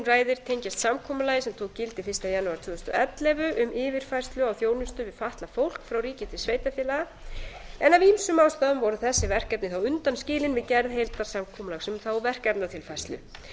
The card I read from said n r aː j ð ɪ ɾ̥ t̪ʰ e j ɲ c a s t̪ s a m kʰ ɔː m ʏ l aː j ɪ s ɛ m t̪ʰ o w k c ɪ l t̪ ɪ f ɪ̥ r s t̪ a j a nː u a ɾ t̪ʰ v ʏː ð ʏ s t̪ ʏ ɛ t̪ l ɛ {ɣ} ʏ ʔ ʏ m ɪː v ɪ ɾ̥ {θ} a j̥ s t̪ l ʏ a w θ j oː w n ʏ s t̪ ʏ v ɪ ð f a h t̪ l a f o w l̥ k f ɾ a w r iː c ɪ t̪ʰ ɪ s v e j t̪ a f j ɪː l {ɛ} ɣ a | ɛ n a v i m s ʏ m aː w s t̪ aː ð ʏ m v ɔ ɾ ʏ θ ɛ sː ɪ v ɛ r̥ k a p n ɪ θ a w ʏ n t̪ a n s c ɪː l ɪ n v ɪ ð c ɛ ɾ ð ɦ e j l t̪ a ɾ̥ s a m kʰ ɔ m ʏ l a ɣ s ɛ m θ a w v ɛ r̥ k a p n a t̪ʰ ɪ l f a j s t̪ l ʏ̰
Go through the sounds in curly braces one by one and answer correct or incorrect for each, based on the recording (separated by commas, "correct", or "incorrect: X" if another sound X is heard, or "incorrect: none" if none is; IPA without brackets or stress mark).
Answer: incorrect: v, incorrect: f, incorrect: a